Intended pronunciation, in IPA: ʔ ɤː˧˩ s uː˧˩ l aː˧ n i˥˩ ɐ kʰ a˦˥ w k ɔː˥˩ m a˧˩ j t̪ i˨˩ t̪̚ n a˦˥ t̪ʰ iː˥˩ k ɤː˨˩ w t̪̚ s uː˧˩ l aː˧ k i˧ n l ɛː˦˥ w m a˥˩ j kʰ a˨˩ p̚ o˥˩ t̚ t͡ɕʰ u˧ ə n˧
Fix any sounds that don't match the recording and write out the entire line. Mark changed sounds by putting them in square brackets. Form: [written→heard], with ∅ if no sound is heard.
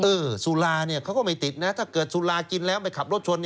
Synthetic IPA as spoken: ʔ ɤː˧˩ s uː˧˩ l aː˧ n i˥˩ ɐ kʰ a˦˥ w k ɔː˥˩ m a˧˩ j t̪ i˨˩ t̪̚ n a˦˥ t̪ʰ [iː˥˩→aː˥˩] k ɤː˨˩ [w→∅] t̪̚ s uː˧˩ l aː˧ k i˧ n l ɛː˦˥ w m [a˥˩→a˧] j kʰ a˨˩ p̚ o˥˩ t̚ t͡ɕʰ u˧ ə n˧